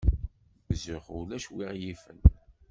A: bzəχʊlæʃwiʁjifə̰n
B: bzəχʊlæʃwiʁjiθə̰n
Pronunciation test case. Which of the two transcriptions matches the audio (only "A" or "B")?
A